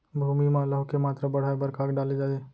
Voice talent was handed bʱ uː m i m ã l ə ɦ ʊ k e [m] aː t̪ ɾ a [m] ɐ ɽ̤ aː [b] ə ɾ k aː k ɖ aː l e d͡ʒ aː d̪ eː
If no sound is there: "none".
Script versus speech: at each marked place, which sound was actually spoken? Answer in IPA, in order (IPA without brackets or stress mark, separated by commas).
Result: m, b, b